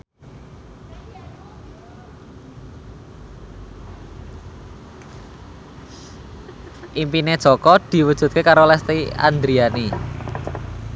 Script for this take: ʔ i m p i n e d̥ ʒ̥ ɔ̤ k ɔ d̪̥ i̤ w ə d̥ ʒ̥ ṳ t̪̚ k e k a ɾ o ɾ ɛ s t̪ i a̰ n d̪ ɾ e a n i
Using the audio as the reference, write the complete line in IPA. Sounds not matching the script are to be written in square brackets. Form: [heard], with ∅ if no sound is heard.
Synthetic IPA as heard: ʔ i m p i n e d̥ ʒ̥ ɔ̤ k ɔ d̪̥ i̤ w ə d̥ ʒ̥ ṳ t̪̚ k e k a ɾ o [l] ɛ s t̪ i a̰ n d̪ ɾ [i] a n i